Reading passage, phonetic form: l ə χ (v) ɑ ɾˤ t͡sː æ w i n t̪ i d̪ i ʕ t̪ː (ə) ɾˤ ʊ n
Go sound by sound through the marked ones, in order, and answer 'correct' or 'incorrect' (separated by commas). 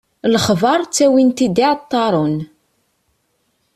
correct, incorrect